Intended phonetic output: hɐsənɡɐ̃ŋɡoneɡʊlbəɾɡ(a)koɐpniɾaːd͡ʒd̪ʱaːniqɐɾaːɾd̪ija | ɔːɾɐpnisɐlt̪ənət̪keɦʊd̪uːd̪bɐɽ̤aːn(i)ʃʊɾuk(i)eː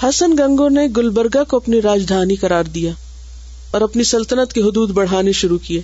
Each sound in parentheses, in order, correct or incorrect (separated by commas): correct, incorrect, correct